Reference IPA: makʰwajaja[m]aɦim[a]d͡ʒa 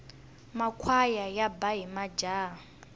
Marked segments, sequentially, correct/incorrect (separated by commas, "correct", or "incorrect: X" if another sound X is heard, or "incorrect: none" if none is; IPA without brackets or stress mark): incorrect: b, correct